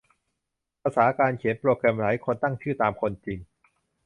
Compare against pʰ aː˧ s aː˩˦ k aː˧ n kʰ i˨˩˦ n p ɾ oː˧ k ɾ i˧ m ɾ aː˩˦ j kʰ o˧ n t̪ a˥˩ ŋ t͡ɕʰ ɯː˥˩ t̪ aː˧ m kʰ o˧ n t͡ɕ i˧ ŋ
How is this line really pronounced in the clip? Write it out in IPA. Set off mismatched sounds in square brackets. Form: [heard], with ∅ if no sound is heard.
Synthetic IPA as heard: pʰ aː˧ s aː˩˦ k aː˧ n kʰ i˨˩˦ n p ɾ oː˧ k ɾ [ɛ˧] m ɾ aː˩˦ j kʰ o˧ n t̪ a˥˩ ŋ t͡ɕʰ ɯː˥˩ t̪ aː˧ m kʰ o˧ n t͡ɕ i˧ ŋ

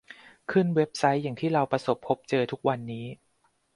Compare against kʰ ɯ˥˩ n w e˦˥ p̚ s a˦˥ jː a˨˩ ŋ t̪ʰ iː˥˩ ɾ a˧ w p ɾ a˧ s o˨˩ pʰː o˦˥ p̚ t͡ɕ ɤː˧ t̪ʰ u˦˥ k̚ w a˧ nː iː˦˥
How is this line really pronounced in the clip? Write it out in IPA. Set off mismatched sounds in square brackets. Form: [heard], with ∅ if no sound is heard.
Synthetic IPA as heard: kʰ ɯ˥˩ n w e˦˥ p̚ s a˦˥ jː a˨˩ ŋ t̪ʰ iː˥˩ ɾ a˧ w p ɾ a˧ s o˨˩ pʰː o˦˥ p̚ t͡ɕ ɤː˧ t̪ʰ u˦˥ k̚ w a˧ nː iː˦˥

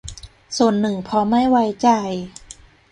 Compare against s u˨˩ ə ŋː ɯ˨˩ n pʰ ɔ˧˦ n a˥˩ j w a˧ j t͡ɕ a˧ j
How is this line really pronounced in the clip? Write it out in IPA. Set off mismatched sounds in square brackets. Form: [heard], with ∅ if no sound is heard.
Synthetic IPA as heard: s u˨˩ ə [nː] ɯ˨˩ [ŋ] pʰ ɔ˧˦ [m] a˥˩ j w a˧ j t͡ɕ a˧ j

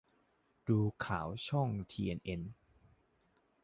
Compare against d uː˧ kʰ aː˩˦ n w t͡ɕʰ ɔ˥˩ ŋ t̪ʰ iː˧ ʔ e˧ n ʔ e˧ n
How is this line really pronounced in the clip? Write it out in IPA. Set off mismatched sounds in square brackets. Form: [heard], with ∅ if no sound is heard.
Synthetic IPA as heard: d uː˧ kʰ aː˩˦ [∅] w t͡ɕʰ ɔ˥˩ ŋ t̪ʰ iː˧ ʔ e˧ n ʔ e˧ n

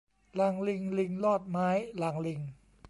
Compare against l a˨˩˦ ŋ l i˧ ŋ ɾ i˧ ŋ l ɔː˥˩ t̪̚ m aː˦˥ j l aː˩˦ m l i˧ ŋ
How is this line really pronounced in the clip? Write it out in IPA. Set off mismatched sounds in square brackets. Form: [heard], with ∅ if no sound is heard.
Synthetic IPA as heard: l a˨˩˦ ŋ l i˧ ŋ [l] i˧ ŋ l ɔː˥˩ t̪̚ m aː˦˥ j l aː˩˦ [ŋ] l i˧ ŋ

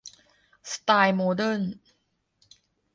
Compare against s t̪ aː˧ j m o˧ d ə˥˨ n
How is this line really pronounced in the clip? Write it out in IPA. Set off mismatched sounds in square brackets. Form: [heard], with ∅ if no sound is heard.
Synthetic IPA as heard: s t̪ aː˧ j m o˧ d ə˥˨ n

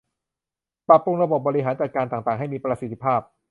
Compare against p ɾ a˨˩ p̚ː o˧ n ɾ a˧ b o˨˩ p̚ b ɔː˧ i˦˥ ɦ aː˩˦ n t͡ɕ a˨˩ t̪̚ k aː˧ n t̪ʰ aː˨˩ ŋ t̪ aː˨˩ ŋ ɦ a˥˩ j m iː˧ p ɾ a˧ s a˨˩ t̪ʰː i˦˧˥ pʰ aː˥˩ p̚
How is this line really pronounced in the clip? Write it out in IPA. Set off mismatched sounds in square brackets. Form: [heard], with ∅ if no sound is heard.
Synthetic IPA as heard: p ɾ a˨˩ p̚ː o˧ [ŋ] ɾ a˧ b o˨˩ p̚ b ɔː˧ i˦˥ ɦ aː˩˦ n t͡ɕ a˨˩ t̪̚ k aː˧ n [t̪] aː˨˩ ŋ t̪ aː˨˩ ŋ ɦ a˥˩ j m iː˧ p ɾ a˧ s [i˨˩] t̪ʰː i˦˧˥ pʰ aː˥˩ p̚

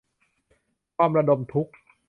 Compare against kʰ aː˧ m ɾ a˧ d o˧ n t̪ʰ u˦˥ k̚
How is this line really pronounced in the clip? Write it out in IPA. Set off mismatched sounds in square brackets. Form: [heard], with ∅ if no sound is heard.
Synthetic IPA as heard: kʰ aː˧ m ɾ a˧ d o˧ [m] t̪ʰ u˦˥ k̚

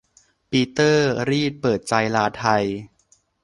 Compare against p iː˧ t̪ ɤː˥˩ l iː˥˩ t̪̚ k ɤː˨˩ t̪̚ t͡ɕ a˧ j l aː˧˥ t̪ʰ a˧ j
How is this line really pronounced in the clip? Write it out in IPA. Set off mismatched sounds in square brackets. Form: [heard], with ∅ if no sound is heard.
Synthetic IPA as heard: p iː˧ t̪ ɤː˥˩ [ɾ] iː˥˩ t̪̚ [p] ɤː˨˩ t̪̚ t͡ɕ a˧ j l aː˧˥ t̪ʰ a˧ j

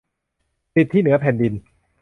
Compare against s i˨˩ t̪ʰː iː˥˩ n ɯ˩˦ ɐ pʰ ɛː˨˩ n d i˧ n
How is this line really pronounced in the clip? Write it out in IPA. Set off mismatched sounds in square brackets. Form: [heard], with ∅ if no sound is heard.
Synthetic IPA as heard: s i˨˩ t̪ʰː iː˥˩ n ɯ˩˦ ɐ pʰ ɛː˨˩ n d i˧ n

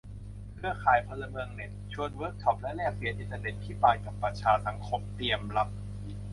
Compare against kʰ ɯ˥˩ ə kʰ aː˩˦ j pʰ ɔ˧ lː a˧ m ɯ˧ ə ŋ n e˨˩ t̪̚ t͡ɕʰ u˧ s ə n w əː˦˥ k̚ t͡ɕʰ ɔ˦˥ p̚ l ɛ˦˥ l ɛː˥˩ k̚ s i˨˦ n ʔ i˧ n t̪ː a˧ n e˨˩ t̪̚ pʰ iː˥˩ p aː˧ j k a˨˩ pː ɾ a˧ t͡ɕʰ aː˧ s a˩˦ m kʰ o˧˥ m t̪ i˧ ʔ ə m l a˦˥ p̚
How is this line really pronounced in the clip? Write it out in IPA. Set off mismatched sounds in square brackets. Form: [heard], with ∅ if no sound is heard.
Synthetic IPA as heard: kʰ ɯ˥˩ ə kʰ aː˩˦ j pʰ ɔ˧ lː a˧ m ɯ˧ ə ŋ n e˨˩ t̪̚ t͡ɕʰ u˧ [∅] ə n w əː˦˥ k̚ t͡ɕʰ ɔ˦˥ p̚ l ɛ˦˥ l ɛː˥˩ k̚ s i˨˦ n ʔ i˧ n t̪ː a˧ n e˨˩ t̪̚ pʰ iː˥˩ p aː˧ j k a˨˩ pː ɾ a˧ t͡ɕʰ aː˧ s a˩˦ [ŋ] kʰ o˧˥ m t̪ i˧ [∅] ə m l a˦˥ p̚

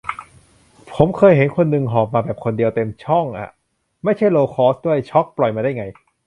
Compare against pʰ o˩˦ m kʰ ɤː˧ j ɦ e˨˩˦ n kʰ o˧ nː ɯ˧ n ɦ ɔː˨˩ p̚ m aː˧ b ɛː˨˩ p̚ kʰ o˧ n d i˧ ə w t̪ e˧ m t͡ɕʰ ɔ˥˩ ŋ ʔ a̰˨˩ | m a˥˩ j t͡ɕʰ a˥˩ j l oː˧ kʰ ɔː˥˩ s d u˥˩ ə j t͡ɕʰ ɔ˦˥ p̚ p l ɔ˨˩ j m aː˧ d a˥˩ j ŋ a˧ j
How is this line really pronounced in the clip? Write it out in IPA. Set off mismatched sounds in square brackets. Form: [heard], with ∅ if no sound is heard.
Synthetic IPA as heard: pʰ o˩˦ m kʰ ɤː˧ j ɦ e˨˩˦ n kʰ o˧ nː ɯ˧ [ŋ] ɦ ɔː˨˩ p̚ m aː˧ b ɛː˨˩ p̚ kʰ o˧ n d i˧ ə w t̪ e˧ m t͡ɕʰ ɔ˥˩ ŋ ʔ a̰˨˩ | m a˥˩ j t͡ɕʰ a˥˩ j l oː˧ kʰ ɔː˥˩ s d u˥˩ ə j t͡ɕʰ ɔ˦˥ [k̚] p l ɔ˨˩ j m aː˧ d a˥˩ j ŋ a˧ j

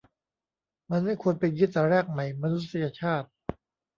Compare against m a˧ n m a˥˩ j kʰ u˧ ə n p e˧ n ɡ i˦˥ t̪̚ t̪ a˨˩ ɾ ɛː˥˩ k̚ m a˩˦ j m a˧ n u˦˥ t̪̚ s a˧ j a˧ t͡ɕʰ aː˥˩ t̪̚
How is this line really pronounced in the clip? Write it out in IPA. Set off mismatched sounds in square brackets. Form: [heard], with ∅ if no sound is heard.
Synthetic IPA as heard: m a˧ n m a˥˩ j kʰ u˧ ə n p e˧ n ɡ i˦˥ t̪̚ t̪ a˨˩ ɾ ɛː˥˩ k̚ m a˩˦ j m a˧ n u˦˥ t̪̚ s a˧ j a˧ t͡ɕʰ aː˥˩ t̪̚

